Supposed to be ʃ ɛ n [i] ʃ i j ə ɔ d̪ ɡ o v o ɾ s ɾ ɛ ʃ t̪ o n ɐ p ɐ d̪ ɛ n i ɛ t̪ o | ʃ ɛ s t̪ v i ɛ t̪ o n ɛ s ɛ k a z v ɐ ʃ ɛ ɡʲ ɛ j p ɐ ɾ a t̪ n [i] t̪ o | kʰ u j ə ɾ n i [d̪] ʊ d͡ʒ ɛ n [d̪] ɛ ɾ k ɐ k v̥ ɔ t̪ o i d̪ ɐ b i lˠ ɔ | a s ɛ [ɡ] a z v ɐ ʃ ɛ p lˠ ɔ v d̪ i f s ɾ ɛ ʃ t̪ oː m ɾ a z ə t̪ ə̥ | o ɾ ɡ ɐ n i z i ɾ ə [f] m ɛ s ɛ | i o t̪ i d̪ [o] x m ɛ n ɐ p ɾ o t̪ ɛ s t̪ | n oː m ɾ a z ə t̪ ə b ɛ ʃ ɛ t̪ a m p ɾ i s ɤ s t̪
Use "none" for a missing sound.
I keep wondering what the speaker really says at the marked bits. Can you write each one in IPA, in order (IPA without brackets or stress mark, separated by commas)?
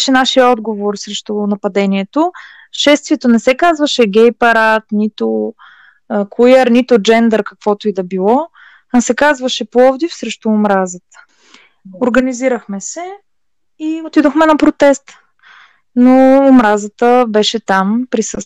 a, i, t̪, d̪, k, x, o